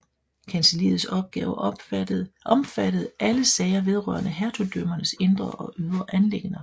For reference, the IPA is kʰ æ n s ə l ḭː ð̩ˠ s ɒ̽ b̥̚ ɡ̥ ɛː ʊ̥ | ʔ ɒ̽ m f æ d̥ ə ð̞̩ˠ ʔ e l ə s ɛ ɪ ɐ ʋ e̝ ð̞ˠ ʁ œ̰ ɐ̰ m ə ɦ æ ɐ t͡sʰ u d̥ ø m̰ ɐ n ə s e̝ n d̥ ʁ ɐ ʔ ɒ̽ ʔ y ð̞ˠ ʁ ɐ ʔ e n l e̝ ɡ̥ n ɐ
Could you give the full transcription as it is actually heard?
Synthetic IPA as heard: kʰ æ n s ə l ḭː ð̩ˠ s ɒ̽ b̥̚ ɡ̥ ɛː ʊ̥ | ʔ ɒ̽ m f æ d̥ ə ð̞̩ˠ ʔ æ l ə s ɛ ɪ ɐ ʋ e̝ ð̞ˠ ʁ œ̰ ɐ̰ n ə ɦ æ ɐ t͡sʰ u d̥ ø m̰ ɐ n ə s e̝ n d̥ ʁ ɐ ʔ ɒ̽ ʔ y ð̞ˠ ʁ ɐ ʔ æ n l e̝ ɡ̥ n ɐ